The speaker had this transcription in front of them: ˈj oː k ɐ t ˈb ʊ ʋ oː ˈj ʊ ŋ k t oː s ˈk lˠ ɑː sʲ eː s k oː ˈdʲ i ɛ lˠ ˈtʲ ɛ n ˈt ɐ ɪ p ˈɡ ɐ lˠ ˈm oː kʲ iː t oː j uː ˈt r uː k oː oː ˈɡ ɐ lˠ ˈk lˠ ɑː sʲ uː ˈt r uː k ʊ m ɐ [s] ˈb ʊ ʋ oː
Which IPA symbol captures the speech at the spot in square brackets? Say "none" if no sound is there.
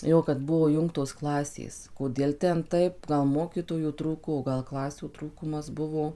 s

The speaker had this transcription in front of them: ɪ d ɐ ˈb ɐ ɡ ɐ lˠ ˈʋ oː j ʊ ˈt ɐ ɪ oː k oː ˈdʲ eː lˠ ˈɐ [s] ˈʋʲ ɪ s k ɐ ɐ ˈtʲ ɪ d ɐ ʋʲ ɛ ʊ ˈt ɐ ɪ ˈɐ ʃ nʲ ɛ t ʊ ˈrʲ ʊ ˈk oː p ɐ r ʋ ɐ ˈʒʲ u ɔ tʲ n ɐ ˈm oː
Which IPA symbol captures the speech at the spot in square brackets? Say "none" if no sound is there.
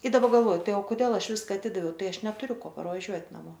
ʃ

